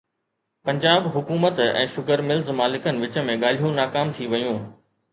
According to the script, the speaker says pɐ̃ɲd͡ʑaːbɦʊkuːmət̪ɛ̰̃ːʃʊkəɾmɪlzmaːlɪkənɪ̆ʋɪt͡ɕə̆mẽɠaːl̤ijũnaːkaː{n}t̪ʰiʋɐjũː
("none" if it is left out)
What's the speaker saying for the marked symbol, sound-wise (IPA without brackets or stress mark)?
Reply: m